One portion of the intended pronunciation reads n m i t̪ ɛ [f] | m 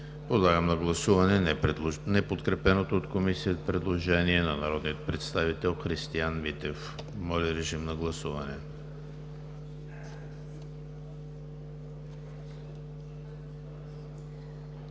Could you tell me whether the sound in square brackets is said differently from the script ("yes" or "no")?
no